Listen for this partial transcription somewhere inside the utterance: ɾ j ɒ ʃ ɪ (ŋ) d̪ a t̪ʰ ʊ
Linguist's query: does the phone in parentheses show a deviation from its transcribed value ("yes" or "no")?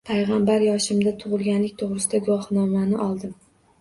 yes